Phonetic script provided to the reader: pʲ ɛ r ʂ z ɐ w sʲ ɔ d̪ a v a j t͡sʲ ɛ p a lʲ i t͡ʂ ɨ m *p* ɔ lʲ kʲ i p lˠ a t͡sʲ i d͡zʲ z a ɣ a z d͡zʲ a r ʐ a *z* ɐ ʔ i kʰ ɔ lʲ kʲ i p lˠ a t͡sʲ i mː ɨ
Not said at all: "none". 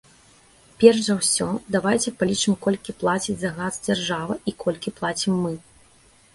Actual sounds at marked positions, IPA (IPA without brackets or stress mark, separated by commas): k, v